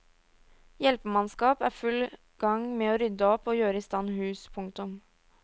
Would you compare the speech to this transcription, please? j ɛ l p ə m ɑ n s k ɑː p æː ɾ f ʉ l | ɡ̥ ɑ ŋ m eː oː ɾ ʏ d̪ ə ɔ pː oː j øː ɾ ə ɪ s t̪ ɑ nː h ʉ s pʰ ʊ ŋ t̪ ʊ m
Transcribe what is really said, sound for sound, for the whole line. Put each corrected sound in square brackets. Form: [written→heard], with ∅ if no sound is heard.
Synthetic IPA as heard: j ɛ l p ə m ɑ n s k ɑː p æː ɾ f ʉ l | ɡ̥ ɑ ŋ m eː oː ɾ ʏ d̪ ə ɔ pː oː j øː ɾ ə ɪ s t̪ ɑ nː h [ʉ→ʉː] s pʰ ʊ ŋ t̪ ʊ m